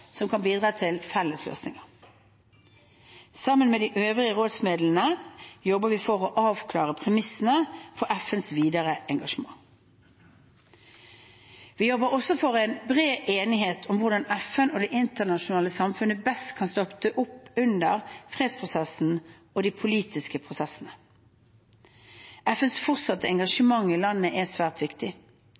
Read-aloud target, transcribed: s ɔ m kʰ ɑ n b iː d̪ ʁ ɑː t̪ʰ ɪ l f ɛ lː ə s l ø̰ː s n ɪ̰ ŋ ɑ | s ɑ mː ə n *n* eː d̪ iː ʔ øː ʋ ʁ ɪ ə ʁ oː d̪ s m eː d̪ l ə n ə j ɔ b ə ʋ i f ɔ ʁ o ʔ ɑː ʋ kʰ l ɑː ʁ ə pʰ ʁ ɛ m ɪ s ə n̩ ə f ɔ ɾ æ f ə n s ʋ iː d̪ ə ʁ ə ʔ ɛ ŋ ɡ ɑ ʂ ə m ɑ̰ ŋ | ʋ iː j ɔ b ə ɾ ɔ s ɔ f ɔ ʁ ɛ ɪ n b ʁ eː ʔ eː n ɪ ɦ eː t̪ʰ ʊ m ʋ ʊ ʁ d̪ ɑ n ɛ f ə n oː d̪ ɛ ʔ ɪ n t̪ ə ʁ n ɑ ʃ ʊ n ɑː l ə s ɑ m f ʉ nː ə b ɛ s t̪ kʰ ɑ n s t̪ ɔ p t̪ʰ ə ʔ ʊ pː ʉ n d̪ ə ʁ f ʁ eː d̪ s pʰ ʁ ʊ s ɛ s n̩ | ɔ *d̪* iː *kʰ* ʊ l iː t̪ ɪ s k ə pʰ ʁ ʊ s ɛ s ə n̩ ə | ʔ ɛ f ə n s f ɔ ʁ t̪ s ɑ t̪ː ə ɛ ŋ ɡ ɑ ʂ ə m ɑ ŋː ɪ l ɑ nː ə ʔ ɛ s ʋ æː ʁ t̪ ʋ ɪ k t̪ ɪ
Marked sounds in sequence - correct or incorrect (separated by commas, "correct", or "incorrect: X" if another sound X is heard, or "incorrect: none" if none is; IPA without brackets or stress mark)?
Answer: incorrect: m, correct, incorrect: pʰ